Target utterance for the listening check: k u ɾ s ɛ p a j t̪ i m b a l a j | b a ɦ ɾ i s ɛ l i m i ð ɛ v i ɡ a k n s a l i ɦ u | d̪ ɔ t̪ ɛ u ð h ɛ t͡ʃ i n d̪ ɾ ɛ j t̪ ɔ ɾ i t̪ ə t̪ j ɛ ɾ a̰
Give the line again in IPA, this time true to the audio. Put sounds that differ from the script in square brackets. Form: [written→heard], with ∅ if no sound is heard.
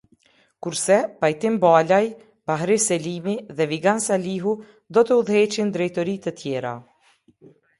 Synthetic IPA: k u ɾ s ɛ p a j t̪ i m b a l a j | b a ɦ ɾ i s ɛ l i m i ð ɛ v i ɡ a [k→∅] n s a l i ɦ u | d̪ ɔ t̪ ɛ u ð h ɛ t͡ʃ i n d̪ ɾ ɛ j t̪ ɔ ɾ i t̪ ə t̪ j ɛ ɾ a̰

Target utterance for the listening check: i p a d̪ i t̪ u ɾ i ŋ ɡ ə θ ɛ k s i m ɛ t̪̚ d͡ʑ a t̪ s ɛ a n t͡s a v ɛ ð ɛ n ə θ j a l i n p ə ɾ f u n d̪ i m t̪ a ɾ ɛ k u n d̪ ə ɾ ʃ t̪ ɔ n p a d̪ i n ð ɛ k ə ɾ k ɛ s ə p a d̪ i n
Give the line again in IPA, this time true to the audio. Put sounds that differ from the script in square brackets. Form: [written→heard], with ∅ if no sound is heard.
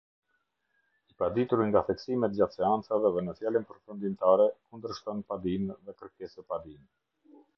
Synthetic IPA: i p a d̪ i t̪ u ɾ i ŋ ɡ [ə→a] θ ɛ k s i m ɛ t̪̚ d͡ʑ a t̪ s ɛ a n t͡s a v ɛ ð ɛ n ə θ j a l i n p ə ɾ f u n d̪ i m t̪ a ɾ ɛ k u n d̪ ə ɾ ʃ t̪ ɔ n p a d̪ i n ð ɛ k ə ɾ k ɛ s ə p a d̪ i n

